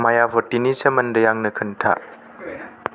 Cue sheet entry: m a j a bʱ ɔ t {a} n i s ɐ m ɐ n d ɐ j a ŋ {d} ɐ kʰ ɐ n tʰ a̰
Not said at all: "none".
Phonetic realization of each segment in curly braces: i, n

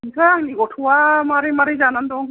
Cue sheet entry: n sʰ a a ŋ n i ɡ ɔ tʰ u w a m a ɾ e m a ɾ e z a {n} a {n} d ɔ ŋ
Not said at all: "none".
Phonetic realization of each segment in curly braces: n, n

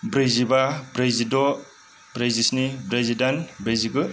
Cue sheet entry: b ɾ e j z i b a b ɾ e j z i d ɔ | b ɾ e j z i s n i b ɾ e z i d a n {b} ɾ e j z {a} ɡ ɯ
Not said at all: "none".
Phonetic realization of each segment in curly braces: b, i

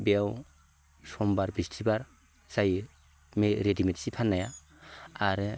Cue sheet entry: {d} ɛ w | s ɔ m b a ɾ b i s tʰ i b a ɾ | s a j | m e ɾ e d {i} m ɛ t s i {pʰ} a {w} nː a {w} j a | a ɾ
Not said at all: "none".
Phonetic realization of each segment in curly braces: b, i, pʰ, none, none

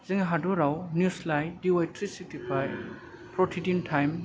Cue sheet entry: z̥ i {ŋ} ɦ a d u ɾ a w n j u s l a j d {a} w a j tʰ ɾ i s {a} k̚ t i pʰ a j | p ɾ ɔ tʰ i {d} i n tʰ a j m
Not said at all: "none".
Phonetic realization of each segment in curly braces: ŋ, i, i, d

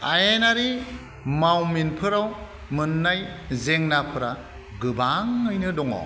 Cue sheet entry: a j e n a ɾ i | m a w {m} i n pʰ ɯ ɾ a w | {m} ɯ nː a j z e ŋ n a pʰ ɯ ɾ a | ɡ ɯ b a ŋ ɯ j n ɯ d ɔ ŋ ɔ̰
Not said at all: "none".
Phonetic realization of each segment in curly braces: m, m

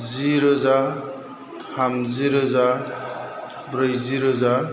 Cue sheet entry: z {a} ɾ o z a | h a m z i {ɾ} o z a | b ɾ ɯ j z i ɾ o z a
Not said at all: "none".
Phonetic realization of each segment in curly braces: i, ɾ

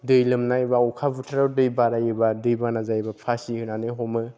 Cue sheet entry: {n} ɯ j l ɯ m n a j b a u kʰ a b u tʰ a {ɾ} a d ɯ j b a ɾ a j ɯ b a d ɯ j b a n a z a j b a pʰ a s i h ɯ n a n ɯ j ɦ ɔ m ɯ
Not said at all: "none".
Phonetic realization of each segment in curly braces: d, ɾ

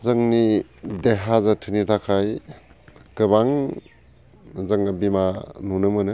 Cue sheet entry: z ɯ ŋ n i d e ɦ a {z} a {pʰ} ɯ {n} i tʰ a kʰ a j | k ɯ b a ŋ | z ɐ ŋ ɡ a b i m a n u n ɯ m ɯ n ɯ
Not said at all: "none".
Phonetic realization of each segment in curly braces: z, tʰ, n

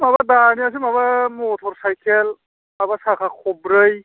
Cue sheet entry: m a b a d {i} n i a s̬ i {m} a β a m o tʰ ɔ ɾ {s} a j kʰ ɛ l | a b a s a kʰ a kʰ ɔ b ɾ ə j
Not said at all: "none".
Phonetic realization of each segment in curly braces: a, m, s

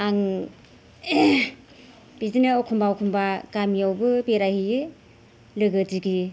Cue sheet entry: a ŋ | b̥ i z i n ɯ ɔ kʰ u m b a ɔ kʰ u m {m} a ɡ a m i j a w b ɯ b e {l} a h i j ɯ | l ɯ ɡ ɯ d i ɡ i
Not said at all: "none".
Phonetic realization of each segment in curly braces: b, ɾ

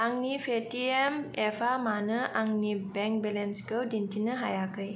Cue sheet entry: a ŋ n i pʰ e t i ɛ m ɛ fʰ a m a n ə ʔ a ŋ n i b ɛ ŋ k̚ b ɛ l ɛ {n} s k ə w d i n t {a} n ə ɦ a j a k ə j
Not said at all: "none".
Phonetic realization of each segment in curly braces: n, i

